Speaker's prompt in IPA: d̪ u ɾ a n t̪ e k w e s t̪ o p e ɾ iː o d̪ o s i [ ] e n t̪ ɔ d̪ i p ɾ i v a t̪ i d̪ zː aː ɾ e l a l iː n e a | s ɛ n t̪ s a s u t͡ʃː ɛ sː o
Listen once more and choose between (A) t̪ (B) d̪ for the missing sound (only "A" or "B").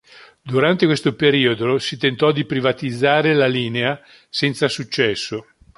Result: A